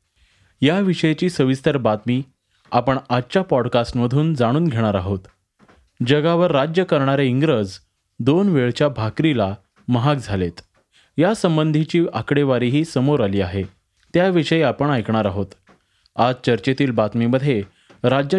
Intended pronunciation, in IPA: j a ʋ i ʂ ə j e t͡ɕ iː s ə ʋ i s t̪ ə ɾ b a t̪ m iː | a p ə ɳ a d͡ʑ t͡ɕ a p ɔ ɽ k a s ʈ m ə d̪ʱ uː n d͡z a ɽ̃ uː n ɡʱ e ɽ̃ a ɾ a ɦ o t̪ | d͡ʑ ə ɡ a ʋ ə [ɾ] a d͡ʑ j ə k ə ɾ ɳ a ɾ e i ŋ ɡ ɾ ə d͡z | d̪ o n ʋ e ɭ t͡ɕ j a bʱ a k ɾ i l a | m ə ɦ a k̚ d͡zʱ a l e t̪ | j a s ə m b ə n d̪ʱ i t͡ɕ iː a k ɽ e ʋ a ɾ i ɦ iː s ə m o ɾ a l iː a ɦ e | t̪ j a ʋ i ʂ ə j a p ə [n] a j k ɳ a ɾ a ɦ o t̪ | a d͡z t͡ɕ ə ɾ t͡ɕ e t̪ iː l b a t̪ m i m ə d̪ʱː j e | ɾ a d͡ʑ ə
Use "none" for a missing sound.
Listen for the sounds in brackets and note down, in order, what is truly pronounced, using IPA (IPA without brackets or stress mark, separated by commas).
ɾː, ɳ